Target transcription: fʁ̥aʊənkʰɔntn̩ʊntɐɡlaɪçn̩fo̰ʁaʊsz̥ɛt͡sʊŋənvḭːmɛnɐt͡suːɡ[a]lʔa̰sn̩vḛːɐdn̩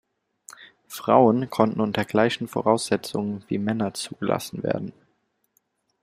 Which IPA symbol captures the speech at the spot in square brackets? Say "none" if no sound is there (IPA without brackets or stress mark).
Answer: ə